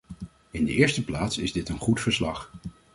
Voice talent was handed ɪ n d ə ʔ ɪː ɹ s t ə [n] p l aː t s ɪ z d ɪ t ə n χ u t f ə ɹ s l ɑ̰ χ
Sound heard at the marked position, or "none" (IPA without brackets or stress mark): none